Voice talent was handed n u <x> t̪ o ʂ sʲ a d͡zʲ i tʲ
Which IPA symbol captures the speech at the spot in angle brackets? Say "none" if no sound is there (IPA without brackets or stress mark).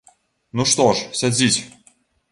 ʂ